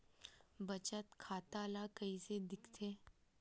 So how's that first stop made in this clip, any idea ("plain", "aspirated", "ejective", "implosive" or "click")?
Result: plain